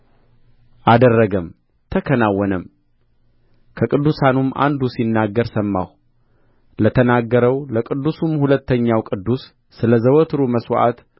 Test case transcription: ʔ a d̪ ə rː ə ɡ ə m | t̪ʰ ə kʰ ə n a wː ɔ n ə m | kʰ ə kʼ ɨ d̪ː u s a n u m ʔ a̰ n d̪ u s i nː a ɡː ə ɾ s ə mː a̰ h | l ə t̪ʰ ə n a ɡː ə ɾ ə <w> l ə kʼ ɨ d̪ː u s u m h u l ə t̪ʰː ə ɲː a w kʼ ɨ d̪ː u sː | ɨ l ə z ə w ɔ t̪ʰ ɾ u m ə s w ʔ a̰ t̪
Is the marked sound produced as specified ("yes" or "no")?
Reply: yes